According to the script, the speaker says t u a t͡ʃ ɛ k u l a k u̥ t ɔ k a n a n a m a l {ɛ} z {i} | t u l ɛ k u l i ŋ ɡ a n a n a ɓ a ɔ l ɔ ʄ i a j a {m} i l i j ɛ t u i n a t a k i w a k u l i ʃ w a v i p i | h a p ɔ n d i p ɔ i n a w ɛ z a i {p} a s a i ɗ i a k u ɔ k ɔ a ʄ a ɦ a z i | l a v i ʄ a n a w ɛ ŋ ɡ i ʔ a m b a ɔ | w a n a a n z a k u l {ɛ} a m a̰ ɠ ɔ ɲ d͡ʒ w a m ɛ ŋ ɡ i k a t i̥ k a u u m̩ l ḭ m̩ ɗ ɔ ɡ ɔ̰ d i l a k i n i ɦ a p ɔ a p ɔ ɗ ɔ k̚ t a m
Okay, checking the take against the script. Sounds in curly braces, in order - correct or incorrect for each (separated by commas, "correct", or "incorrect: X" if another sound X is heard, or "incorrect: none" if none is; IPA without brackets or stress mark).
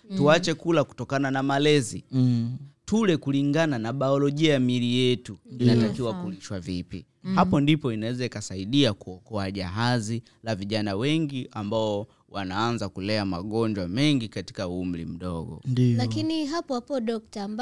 correct, correct, correct, incorrect: k, correct